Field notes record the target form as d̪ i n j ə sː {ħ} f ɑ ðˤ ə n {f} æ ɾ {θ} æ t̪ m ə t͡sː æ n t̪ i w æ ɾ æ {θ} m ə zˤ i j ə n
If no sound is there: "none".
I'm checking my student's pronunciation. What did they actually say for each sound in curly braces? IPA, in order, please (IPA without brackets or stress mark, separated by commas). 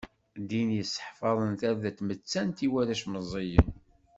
ħ, θ, ð, ʃ